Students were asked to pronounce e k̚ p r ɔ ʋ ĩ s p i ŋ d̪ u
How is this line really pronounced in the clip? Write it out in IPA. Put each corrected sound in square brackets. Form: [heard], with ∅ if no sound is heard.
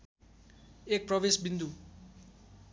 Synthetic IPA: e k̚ p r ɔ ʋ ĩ s [b] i [n] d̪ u